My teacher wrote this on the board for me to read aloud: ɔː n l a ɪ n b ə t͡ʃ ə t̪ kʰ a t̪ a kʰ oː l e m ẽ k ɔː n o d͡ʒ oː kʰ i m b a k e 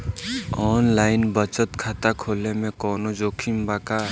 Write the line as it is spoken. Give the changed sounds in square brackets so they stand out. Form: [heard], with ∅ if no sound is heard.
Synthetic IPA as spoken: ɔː n l a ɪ n b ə t͡ʃ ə t̪ kʰ a t̪ a kʰ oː l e m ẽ k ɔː n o d͡ʒ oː kʰ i m b a k [a]

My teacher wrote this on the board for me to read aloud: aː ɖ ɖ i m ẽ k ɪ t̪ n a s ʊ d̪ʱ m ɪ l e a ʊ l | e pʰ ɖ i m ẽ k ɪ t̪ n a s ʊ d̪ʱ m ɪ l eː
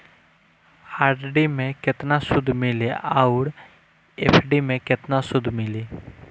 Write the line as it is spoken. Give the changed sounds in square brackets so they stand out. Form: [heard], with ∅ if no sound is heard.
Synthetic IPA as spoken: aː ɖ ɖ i m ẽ k ɪ t̪ n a s ʊ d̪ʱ m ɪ l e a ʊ [ɾ] | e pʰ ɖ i m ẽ k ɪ t̪ n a s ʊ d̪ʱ m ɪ l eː

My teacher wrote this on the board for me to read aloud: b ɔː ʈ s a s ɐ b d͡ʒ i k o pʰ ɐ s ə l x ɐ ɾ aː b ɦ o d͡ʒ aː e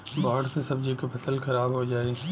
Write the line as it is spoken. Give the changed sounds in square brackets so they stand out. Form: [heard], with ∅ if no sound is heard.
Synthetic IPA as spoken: b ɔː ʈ s [e] s ɐ b d͡ʒ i k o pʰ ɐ s ə l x ɐ ɾ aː b ɦ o d͡ʒ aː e

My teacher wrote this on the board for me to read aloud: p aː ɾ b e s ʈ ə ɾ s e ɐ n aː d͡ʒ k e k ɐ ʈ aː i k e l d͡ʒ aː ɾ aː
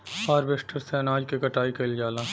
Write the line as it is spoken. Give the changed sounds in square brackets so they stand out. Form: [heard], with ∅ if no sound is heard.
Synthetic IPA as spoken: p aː ɾ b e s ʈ ə ɾ s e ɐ n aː d͡ʒ k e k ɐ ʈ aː i k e l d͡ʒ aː [l] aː

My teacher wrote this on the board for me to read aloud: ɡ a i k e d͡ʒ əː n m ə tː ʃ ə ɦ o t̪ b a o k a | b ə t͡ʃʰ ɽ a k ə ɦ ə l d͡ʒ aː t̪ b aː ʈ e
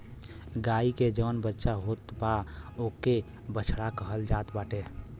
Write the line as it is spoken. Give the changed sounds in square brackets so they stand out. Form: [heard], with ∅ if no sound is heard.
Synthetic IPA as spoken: ɡ a i k e d͡ʒ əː n [b] ə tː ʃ [a] ɦ o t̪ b a o k [e] | b ə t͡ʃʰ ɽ a k ə ɦ ə l d͡ʒ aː t̪ b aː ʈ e

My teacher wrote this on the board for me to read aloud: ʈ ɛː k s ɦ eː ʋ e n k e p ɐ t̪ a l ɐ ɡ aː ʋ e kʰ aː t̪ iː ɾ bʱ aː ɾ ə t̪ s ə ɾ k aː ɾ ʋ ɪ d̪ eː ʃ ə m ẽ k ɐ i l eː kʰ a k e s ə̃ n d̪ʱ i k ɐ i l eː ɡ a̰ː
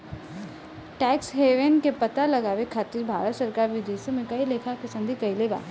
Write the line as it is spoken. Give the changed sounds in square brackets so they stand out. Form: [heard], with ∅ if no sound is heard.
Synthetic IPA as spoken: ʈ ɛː k s ɦ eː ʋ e n k e p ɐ t̪ a l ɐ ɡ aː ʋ e kʰ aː t̪ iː ɾ bʱ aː ɾ ə t̪ s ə ɾ k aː ɾ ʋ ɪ d̪ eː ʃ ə m ẽ k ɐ i l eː kʰ a k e s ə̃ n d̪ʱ i k ɐ i l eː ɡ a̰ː

